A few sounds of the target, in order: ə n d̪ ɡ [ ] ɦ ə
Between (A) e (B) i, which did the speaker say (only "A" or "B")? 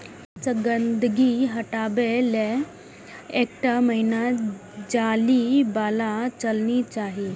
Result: B